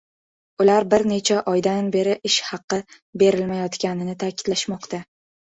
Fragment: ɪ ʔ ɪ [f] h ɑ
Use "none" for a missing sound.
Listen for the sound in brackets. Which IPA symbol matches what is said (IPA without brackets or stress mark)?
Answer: ʃ